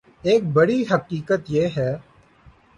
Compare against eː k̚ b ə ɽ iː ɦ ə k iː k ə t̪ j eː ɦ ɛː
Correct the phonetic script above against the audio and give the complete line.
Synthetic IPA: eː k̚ b ə ɽ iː ɦ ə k iː k ə t̪ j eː ɦ ɛː